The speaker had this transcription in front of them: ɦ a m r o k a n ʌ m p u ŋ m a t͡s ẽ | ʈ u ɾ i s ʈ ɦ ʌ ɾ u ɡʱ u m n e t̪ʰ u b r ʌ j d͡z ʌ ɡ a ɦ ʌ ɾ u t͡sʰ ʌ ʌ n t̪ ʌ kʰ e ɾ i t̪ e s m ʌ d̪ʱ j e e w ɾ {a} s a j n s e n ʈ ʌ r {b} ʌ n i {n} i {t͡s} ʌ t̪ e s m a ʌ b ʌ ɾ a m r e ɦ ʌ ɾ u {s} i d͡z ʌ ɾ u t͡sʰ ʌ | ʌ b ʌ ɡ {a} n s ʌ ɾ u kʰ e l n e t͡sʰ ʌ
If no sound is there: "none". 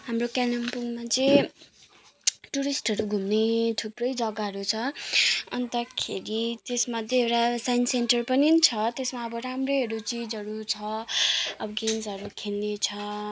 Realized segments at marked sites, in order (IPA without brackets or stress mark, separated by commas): a, p, n, t͡sʰ, t͡s, e